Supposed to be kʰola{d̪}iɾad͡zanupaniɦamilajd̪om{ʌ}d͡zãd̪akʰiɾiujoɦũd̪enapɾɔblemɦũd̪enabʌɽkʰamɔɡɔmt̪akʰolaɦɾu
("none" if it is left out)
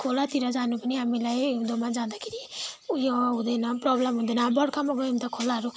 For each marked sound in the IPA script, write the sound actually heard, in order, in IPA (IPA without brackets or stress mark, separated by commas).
t̪, a